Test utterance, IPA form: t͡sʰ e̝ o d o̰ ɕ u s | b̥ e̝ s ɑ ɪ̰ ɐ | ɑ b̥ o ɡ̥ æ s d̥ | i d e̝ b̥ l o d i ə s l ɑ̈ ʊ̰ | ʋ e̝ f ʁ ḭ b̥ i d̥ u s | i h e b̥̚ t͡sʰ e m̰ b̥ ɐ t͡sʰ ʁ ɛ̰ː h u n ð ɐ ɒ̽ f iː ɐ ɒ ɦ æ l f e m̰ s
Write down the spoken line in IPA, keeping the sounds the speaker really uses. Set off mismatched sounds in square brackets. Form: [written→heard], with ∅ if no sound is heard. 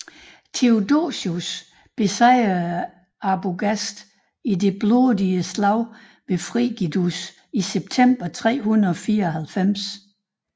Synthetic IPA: t͡sʰ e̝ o d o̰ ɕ u s | b̥ e̝ s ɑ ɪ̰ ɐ | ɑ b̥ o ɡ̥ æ s d̥ | i d e̝ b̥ l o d i ə s l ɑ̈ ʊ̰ | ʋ e̝ f ʁ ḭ [b̥→ɡ̥] i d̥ u s | i [h→s] e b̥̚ t͡sʰ e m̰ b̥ ɐ t͡sʰ ʁ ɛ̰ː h u n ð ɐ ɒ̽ f iː ɐ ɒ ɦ æ l f e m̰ s